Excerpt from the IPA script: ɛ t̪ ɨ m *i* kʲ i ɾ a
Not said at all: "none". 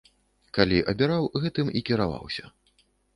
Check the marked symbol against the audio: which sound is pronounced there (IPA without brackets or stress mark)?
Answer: i